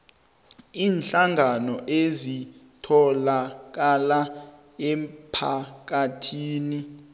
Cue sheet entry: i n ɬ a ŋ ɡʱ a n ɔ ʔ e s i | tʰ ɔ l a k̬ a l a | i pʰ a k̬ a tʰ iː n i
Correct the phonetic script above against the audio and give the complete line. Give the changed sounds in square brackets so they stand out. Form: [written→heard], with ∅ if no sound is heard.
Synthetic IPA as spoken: [i→iː] n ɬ a ŋ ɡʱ a n ɔ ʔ e [s→z] i | tʰ ɔ l a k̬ a l a | [i→ɛ] pʰ a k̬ a tʰ iː n i